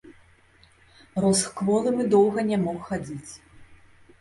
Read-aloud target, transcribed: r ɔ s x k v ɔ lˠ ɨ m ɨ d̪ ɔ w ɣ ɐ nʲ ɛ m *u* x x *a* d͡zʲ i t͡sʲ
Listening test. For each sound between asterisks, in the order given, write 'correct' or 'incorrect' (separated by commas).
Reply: incorrect, correct